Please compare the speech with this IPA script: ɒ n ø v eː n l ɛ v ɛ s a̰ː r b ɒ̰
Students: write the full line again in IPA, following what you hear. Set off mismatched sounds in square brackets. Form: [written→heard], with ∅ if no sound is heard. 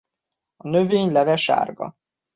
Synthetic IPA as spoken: ɒ n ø v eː [n→ɲ] l ɛ v ɛ [s→ʃ] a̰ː r [b→ɡ] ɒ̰